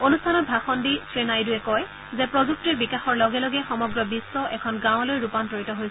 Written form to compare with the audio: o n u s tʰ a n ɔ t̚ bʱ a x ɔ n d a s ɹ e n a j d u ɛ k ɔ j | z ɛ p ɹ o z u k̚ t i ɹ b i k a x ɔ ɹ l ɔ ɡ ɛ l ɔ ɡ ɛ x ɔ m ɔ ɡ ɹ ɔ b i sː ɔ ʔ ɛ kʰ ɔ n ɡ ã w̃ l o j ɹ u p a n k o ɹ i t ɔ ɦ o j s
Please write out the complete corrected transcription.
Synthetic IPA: o n u s tʰ a n ɔ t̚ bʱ a x ɔ n d i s ɹ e n a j d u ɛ k ɔ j | z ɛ p ɹ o z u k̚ t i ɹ b i k a x ɔ ɹ l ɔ ɡ ɛ l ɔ ɡ ɛ x ɔ m ɔ ɡ ɹ ɔ b i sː ɔ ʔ ɛ kʰ ɔ n ɡ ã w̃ l o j ɹ u p a n t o ɹ i t ɔ ɦ o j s